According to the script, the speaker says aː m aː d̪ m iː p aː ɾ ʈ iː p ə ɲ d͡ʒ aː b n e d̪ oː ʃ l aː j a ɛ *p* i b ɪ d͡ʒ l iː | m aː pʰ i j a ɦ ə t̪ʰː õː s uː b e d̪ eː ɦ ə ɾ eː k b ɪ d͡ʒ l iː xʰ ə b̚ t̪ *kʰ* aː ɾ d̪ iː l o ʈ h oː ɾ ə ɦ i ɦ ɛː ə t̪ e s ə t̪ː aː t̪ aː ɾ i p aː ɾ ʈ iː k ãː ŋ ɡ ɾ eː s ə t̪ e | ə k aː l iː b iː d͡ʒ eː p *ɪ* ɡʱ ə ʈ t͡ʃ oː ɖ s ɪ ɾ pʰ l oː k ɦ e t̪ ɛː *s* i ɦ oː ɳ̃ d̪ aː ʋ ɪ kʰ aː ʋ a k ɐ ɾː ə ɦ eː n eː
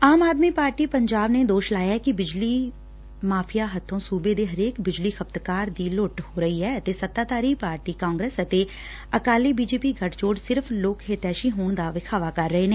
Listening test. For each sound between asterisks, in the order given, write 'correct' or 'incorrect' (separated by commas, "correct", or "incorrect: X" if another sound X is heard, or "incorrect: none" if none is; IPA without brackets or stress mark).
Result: incorrect: k, incorrect: k, incorrect: i, incorrect: ʃ